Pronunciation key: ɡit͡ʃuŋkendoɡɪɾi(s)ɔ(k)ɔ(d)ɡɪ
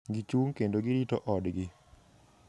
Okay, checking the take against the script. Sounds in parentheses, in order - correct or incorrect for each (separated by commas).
incorrect, incorrect, correct